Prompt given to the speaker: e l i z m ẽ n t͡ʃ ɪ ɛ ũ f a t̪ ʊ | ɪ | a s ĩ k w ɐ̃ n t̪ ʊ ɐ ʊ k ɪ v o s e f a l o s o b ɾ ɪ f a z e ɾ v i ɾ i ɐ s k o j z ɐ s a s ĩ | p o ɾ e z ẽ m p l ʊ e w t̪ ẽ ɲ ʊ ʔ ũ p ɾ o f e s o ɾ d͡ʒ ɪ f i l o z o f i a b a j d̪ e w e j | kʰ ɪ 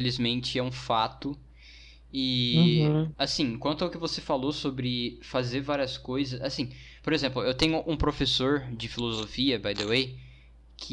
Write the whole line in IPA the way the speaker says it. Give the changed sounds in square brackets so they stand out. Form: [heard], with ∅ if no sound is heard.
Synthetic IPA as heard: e l i z m ẽ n t͡ʃ ɪ ɛ ũ f a t̪ ʊ | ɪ | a s ĩ k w ɐ̃ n t̪ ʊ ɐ ʊ k ɪ v o s e f a l o s o b ɾ ɪ f a z e ɾ v [a] ɾ i ɐ s k o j z ɐ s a s ĩ | p o ɾ e z ẽ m p l ʊ e w t̪ ẽ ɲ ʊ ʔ ũ p ɾ o f e s o ɾ d͡ʒ ɪ f i l o z o f i [ɐ] b a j d̪ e w e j | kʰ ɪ